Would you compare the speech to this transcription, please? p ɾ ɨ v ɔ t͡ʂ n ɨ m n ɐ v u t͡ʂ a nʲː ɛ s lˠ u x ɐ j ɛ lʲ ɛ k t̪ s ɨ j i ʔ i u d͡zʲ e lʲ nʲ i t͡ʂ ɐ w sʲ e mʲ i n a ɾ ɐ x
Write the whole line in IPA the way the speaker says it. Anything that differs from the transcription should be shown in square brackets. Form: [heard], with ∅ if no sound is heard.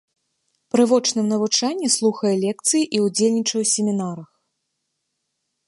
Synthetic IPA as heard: p ɾ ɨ v ɔ t͡ʂ n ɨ m n ɐ v u t͡ʂ a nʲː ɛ s lˠ u x ɐ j ɛ lʲ ɛ k t̪ s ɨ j i ʔ i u d͡zʲ e lʲ nʲ i t͡ʂ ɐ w sʲ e mʲ i n a ɾ ɐ x